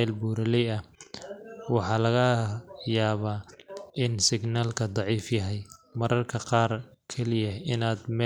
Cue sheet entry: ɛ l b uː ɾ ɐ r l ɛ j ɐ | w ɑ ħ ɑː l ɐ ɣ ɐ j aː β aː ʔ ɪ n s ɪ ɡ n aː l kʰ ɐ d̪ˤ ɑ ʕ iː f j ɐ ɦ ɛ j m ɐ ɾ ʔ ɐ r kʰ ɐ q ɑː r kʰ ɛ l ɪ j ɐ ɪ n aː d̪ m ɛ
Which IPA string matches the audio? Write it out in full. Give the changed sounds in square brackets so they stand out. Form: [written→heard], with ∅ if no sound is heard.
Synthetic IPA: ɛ l b uː ɾ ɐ [r→∅] l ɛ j ɐ | w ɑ ħ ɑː l ɐ ɣ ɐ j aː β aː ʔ ɪ n s ɪ ɡ n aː l kʰ ɐ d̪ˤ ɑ ʕ iː f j ɐ ɦ ɛ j m ɐ ɾ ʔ ɐ r kʰ ɐ q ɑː r kʰ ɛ l ɪ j ɐ ɪ n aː d̪ m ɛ